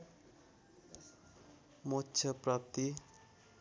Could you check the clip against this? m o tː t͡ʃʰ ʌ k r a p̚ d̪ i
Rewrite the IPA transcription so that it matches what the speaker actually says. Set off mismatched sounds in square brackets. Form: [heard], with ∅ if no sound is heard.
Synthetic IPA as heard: m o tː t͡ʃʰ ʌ [p] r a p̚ [t̪] i